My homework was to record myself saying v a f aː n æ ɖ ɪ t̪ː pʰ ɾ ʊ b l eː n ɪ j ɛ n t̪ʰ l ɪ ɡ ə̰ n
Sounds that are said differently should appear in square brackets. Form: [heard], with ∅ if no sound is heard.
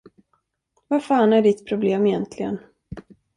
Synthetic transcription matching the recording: v a f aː n æ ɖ ɪ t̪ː pʰ ɾ ʊ b l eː [m] ɪ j ɛ n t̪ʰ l ɪ ɡ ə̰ n